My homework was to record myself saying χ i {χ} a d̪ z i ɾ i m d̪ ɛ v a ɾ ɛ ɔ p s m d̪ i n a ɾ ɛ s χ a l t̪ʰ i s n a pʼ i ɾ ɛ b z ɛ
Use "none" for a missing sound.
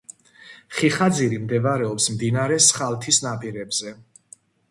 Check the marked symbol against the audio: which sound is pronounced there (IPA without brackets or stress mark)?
χ